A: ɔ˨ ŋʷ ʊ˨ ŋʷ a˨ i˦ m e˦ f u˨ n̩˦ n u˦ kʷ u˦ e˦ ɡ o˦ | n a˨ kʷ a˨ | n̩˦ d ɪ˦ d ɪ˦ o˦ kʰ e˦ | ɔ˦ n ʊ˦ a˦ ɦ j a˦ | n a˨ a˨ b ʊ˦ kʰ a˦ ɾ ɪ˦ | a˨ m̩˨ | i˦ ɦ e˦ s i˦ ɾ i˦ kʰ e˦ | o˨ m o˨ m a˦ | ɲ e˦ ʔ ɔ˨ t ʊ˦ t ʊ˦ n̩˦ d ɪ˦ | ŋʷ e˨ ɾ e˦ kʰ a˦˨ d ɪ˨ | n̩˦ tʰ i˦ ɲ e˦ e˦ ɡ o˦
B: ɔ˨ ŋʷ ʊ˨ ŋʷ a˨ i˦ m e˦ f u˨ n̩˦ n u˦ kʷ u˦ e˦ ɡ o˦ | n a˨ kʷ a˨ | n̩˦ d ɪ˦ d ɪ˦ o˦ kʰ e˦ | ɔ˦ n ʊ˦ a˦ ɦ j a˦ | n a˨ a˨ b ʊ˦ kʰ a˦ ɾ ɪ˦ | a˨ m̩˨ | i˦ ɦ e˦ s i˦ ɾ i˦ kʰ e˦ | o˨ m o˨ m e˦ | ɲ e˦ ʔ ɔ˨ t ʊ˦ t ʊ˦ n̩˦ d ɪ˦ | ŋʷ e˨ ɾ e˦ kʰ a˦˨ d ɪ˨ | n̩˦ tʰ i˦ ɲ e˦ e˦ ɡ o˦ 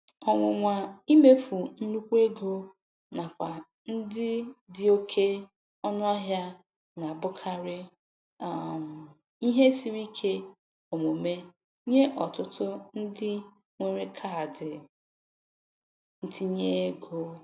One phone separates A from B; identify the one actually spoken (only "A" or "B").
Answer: B